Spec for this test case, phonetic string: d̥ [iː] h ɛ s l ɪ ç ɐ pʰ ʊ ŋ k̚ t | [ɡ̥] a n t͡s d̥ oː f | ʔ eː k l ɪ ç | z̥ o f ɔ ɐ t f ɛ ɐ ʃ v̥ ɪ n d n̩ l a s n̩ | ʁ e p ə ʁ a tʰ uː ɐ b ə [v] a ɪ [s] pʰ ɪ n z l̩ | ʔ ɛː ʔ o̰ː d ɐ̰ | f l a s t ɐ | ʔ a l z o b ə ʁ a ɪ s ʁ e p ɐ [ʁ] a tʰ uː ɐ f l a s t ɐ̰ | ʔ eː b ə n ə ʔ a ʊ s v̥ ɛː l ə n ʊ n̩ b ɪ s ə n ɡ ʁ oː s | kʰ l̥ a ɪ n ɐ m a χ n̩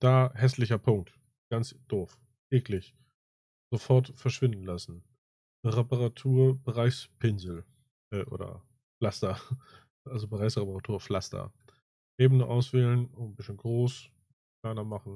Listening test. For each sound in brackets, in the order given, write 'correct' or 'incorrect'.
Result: incorrect, correct, incorrect, correct, correct

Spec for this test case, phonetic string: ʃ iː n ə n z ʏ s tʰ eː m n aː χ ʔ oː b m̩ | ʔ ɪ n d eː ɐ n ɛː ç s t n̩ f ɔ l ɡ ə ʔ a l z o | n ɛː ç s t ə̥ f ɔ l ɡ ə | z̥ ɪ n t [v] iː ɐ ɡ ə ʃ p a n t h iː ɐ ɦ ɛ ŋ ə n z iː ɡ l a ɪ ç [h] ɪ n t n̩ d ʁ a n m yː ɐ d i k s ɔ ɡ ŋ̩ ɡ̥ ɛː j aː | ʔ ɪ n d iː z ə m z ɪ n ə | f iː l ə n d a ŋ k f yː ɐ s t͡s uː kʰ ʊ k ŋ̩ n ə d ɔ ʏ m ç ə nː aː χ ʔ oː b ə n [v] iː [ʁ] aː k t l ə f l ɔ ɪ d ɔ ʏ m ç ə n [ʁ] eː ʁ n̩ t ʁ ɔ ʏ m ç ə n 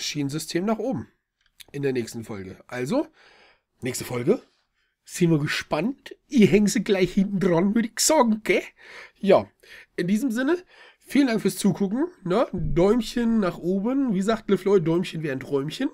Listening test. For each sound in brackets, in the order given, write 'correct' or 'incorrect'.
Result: correct, correct, correct, incorrect, incorrect

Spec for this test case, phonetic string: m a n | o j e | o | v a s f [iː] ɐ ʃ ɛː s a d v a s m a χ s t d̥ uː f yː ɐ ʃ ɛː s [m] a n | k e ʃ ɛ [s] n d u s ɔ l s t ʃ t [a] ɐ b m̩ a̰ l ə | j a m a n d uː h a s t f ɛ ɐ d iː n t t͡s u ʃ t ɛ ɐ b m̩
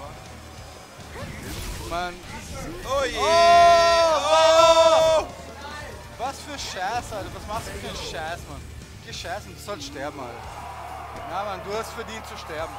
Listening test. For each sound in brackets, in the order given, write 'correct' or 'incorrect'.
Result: incorrect, correct, correct, incorrect

